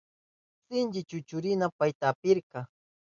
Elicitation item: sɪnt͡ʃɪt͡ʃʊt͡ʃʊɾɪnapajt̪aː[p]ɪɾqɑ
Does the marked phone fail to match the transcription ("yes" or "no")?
no